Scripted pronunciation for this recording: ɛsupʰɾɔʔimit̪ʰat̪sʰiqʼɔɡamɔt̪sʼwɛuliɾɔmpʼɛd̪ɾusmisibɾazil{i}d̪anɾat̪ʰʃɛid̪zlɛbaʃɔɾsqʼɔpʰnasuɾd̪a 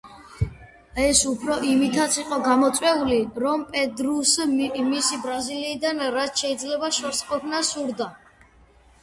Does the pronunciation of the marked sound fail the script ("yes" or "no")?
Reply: yes